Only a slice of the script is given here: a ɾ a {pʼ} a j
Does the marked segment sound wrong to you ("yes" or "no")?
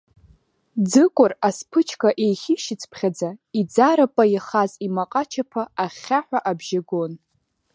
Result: no